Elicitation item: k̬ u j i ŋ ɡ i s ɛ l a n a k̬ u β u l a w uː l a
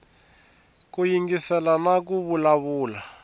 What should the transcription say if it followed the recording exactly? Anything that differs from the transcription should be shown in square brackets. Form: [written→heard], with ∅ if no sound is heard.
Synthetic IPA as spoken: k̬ u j i ŋ ɡ i s ɛ l a n a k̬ u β u l a [w→β] uː l a